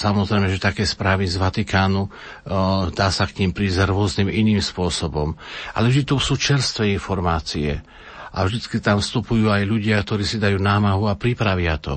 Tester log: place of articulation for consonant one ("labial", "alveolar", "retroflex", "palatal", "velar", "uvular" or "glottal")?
alveolar